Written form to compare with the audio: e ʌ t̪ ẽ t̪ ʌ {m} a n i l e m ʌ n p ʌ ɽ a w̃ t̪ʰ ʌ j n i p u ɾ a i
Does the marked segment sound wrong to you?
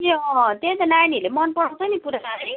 yes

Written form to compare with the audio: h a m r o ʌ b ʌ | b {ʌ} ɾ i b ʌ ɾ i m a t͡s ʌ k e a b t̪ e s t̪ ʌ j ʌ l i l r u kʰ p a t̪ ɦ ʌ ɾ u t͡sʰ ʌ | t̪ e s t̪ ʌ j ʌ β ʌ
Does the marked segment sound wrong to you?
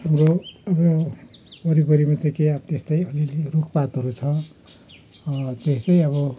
no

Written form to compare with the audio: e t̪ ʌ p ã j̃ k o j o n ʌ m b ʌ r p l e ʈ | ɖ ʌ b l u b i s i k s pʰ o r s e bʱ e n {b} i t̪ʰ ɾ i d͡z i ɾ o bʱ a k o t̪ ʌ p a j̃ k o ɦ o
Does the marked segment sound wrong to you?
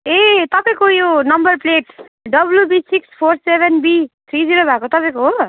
no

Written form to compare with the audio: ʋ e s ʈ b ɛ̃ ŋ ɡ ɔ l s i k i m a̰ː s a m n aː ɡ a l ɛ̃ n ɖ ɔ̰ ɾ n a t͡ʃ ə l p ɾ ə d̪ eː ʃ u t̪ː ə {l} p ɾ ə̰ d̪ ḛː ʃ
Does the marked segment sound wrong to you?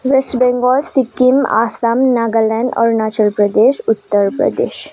yes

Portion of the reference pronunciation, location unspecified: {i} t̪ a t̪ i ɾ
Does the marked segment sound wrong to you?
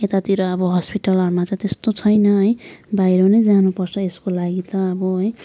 yes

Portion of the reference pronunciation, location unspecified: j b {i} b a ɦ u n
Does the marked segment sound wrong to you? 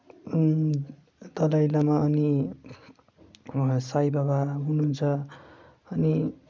yes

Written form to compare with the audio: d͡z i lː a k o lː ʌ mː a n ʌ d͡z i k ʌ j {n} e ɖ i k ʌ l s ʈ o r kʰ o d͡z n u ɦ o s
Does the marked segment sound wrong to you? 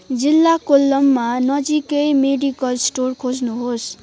yes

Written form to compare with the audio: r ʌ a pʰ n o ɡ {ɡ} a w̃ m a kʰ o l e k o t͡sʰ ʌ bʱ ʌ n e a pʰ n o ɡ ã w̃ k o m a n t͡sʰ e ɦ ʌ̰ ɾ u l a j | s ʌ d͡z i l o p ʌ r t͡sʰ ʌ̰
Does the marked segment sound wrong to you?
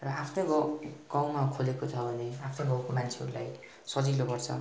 no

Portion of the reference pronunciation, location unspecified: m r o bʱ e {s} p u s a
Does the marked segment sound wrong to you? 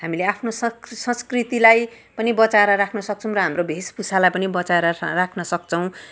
no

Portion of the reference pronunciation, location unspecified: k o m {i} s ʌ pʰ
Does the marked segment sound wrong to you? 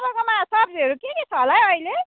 yes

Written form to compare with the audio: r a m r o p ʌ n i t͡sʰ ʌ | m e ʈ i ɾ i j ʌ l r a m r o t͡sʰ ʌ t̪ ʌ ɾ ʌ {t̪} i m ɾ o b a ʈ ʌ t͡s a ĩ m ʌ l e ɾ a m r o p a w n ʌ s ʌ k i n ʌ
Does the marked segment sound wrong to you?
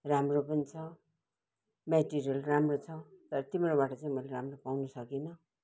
no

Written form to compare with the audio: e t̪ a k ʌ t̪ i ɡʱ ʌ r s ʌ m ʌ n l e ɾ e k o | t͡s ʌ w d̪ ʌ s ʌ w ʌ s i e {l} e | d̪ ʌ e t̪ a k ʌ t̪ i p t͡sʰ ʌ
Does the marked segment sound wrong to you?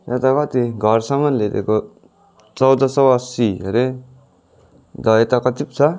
yes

